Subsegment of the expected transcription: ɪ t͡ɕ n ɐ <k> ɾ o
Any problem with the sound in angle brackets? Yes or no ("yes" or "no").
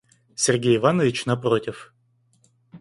yes